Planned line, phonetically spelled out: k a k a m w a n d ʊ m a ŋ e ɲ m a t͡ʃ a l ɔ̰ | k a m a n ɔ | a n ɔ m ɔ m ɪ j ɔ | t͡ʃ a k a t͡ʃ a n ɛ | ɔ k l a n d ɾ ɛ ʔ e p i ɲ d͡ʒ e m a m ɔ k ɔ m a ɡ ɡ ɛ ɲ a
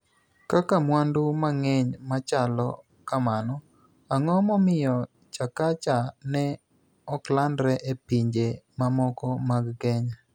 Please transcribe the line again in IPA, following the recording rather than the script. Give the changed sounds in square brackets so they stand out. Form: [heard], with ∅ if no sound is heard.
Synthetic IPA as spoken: k a k a m w a n d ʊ m a ŋ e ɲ m a t͡ʃ a l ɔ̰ | k a m a n ɔ | a [ŋ] ɔ m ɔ m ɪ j ɔ | t͡ʃ a k a t͡ʃ a n ɛ | ɔ k l a n d ɾ ɛ ʔ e p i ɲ d͡ʒ e m a m ɔ k ɔ m a ɡ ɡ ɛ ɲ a